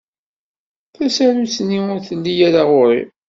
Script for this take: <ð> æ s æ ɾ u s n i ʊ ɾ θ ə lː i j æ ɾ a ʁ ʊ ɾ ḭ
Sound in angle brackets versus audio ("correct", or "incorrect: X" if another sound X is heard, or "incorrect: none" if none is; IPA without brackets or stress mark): incorrect: θ